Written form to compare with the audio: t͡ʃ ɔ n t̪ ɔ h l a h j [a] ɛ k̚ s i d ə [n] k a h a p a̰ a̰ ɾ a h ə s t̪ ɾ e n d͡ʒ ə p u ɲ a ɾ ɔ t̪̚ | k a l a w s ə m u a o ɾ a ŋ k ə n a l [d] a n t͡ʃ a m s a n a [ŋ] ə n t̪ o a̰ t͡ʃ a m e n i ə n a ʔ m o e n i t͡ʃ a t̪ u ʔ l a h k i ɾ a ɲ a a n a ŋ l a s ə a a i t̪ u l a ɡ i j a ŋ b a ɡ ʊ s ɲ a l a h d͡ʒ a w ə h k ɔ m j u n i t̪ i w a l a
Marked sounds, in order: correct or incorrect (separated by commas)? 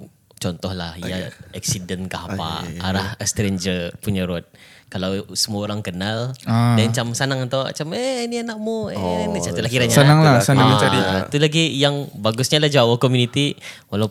correct, correct, correct, correct